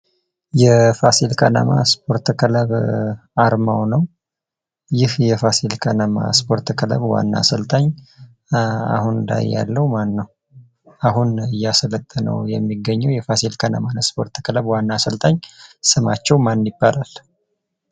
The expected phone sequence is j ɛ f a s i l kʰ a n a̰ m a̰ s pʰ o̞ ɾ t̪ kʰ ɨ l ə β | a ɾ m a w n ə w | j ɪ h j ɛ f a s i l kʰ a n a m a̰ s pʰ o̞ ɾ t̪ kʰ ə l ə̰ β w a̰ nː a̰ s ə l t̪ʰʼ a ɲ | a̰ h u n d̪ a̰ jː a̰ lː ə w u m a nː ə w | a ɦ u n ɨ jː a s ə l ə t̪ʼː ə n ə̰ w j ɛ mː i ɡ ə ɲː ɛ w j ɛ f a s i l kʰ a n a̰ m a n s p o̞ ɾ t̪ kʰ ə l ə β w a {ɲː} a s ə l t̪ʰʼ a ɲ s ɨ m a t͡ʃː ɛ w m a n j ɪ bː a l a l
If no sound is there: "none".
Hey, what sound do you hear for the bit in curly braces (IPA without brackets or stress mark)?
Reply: nː